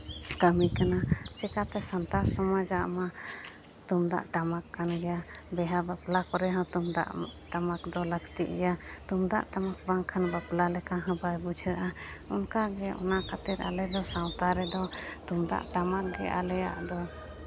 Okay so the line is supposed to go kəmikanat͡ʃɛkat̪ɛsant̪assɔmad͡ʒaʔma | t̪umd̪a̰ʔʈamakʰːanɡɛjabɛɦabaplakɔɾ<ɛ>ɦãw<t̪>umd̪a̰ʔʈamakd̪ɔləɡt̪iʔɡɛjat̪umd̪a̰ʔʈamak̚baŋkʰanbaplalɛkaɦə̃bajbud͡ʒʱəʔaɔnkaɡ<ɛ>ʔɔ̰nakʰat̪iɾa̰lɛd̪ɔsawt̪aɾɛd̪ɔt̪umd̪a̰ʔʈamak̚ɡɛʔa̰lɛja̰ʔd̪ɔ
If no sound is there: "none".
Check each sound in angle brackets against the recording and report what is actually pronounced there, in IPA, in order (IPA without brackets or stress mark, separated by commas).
ɛ, t̪, ɛ